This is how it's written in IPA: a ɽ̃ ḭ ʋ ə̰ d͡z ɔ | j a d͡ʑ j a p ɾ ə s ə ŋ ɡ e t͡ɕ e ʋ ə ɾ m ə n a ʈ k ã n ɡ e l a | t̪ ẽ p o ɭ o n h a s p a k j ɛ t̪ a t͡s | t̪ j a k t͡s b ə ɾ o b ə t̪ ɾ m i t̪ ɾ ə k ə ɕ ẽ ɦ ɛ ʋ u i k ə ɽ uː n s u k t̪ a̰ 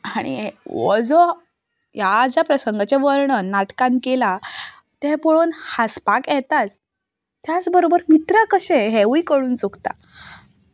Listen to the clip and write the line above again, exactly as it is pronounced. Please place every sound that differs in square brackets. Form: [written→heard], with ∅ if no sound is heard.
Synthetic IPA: a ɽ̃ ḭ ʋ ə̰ d͡z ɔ | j a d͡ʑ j a p ɾ ə s ə ŋ ɡ [e→a] t͡ɕ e ʋ ə ɾ [m→ɳ] ə n a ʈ k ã n [ɡ→k] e l a | t̪ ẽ p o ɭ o n h a s p a k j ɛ t̪ a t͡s | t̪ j a [k→∅] t͡s b ə ɾ o b ə [t̪→∅] ɾ m i t̪ ɾ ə k ə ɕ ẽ ɦ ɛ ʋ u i k ə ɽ uː n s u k t̪ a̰